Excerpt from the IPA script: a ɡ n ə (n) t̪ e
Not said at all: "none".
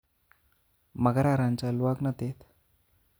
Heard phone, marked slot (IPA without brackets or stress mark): none